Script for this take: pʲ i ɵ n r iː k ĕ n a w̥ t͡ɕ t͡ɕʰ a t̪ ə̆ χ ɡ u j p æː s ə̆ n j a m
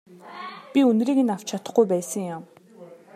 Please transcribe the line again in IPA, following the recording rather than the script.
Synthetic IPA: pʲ i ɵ n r iː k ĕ n a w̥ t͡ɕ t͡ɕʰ a t̪ ə̆ χ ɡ u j p æː s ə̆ ŋ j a m